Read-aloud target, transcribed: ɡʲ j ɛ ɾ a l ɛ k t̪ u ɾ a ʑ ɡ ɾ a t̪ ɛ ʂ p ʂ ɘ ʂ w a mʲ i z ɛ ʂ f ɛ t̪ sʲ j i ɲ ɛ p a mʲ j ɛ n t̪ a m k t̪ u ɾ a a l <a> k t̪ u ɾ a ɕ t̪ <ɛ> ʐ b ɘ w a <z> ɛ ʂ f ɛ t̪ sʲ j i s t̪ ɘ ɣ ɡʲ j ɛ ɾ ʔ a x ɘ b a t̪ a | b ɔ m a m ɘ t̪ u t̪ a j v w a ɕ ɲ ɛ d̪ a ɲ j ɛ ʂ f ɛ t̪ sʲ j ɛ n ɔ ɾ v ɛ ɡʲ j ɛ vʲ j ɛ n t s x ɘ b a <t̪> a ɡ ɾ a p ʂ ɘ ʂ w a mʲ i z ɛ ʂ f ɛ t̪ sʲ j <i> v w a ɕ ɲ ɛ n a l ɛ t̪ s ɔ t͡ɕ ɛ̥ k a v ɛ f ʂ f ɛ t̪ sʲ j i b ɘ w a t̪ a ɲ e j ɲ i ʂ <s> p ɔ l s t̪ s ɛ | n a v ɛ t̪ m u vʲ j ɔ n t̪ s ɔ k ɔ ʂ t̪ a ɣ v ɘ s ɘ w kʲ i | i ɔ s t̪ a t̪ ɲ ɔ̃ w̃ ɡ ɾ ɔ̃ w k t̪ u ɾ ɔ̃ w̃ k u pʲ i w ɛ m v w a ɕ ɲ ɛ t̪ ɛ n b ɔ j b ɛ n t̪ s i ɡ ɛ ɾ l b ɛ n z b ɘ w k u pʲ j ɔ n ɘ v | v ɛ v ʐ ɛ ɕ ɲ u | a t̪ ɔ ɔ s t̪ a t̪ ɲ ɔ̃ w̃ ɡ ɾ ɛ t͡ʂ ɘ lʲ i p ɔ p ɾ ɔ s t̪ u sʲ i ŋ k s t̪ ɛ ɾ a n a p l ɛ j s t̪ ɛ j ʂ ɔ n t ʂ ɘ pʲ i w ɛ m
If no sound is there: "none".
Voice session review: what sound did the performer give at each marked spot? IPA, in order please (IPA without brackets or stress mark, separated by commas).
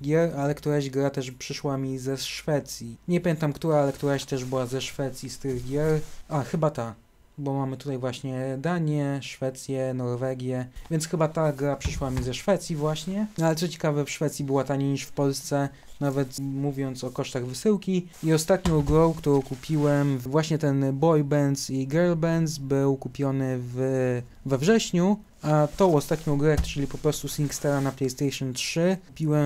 ɛ, ɛ, z, t̪, i, f